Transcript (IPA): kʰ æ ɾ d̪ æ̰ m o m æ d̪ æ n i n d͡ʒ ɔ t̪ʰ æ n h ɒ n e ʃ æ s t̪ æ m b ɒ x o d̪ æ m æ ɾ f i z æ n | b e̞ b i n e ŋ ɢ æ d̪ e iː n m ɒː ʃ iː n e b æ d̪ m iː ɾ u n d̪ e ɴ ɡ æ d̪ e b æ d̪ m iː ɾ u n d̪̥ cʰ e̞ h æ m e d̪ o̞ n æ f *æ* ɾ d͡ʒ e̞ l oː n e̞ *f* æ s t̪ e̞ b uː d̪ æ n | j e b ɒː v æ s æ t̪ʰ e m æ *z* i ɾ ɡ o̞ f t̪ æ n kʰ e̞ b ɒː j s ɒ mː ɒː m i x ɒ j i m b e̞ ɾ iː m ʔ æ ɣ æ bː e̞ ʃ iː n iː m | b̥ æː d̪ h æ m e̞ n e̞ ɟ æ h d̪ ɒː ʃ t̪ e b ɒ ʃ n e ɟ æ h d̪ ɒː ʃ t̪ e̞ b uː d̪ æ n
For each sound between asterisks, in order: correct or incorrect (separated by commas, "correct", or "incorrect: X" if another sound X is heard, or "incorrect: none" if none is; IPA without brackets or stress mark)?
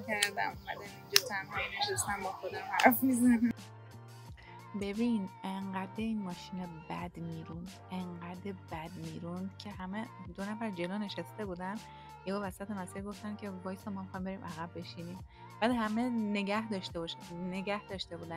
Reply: correct, incorrect: ʃ, incorrect: s